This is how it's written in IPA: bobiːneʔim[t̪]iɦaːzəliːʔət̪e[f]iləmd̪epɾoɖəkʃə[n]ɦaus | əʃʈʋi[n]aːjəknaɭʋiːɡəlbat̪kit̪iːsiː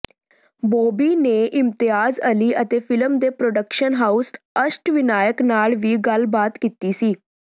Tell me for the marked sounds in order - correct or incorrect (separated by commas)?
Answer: correct, correct, correct, correct